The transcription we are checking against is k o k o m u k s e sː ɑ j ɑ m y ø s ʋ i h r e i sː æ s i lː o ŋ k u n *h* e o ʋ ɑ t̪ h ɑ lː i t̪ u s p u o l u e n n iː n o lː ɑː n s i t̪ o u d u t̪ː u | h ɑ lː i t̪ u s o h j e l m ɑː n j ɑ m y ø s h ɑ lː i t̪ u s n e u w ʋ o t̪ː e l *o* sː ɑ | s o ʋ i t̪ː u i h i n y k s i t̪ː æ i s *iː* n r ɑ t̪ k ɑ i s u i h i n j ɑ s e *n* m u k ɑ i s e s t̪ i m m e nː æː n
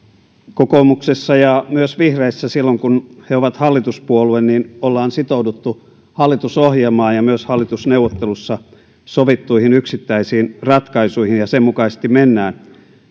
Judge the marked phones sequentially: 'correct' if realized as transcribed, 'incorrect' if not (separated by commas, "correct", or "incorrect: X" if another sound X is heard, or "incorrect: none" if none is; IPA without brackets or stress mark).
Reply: correct, incorrect: u, correct, incorrect: m